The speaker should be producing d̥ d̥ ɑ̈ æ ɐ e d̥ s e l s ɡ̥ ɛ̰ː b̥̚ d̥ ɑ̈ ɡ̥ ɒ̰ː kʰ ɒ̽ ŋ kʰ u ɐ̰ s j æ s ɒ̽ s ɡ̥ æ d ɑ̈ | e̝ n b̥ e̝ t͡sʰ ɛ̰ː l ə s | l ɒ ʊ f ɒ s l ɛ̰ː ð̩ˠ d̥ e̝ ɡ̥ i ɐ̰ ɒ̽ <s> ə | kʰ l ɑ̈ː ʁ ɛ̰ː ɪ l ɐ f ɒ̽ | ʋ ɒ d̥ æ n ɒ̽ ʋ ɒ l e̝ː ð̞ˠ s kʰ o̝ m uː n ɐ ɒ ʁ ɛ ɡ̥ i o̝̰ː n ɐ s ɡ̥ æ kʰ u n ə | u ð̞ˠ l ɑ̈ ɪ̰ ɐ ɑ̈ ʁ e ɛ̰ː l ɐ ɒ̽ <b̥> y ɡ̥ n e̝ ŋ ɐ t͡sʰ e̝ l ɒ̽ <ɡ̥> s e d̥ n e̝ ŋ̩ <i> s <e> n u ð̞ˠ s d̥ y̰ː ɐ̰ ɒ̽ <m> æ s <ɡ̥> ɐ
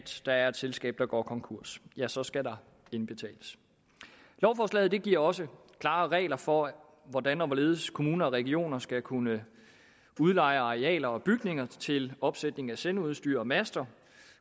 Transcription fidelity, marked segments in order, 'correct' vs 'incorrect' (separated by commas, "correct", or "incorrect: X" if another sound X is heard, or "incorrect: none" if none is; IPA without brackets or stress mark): correct, correct, incorrect: b̥, incorrect: æ, correct, correct, incorrect: d̥